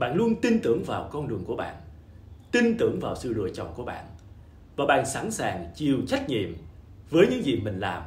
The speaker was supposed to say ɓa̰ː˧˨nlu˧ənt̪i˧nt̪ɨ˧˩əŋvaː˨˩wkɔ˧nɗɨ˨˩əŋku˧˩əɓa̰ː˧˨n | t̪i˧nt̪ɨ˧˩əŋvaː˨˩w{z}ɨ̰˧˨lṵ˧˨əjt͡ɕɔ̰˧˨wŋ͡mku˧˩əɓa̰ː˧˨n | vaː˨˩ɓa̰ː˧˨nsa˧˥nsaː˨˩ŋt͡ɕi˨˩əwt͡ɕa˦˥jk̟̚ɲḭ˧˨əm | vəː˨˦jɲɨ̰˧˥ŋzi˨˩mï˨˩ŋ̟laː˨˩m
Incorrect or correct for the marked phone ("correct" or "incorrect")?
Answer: incorrect